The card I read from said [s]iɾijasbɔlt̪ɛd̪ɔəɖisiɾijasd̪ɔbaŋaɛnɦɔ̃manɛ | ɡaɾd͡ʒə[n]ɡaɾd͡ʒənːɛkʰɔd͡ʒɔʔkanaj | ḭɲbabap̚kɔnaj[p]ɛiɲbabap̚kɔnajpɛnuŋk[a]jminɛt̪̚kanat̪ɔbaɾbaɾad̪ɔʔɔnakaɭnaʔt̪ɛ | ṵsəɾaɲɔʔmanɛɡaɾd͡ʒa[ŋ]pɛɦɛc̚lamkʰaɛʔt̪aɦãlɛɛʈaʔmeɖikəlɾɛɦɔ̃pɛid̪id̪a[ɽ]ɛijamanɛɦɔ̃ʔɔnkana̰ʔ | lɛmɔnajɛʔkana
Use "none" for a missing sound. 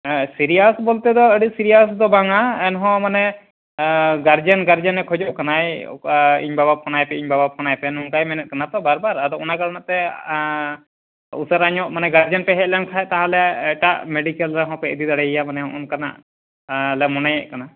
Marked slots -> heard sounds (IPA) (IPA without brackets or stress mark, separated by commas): s, n, p, a, n, ɽ